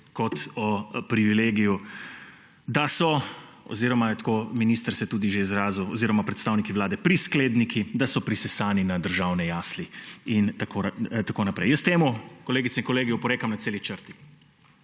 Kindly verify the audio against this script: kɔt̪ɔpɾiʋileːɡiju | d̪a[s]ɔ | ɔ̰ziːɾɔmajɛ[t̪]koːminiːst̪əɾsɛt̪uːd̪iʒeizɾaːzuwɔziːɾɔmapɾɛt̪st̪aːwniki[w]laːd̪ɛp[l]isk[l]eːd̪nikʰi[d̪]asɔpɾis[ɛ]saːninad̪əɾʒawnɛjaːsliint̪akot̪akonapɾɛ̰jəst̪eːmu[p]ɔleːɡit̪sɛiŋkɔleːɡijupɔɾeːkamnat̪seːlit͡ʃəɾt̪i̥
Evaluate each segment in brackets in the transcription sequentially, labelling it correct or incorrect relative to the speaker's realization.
correct, correct, incorrect, incorrect, correct, correct, correct, incorrect

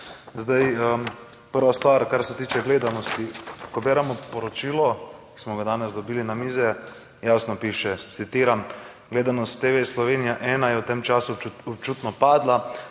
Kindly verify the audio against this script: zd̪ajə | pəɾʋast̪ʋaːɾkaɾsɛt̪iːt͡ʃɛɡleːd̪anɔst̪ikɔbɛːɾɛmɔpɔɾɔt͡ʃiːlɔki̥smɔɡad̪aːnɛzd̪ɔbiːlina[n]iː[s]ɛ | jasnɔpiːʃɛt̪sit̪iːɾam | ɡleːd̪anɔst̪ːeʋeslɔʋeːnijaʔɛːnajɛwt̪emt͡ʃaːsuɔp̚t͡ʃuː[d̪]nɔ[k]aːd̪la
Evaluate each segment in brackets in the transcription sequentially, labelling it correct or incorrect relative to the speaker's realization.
incorrect, incorrect, incorrect, incorrect

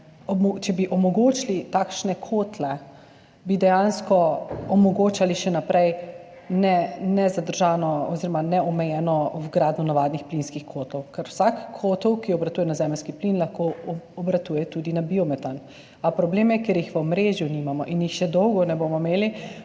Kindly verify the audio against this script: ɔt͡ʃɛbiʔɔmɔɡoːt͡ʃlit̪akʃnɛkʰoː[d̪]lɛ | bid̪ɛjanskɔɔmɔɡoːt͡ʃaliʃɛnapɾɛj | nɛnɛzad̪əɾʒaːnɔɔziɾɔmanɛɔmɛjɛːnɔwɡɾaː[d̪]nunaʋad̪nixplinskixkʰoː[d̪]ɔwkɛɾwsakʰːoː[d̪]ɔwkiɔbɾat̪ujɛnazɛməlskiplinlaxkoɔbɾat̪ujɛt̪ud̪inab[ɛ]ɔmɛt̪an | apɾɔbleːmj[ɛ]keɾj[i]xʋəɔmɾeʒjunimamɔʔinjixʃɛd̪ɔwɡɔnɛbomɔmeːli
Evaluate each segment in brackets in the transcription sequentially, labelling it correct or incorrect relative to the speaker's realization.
incorrect, correct, incorrect, incorrect, incorrect, correct, correct

